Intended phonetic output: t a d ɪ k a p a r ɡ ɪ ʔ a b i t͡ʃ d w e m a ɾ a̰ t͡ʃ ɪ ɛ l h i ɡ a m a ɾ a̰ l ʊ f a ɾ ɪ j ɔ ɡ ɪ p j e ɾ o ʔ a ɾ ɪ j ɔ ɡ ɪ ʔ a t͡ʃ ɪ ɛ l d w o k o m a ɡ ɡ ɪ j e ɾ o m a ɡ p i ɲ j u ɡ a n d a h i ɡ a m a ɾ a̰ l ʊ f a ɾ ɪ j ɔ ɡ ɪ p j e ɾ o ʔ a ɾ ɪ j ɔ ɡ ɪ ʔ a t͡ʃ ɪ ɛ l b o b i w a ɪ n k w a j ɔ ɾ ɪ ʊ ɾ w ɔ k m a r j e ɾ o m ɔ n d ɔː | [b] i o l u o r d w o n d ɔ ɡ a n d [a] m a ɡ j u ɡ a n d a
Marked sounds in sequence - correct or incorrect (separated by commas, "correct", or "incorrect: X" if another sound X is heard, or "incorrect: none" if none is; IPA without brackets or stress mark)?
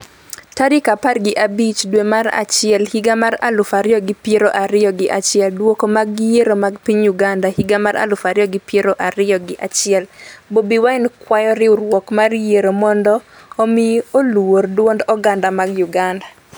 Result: incorrect: m, correct